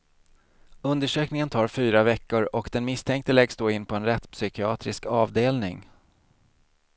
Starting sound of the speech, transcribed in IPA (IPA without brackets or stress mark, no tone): ɵ